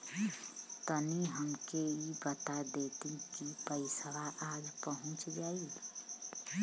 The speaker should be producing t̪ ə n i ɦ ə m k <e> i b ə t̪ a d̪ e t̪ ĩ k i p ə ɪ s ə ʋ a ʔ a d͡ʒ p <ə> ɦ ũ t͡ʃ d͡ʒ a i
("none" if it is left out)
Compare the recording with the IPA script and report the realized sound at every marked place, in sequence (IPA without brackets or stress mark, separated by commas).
e, ə